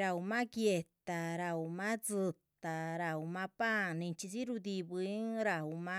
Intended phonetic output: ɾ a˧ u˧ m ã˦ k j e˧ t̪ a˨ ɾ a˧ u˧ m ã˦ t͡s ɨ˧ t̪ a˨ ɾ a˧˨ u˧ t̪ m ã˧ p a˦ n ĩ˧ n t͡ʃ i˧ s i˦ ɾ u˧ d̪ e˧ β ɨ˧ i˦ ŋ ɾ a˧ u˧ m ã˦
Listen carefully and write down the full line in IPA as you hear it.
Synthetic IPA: ɾ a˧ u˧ m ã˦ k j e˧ t̪ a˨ ɾ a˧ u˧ m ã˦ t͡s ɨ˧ t̪ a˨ ɾ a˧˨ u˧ m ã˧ p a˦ n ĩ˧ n t͡ʃ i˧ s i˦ ɾ u˧ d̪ i˧ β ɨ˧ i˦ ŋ ɾ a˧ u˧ m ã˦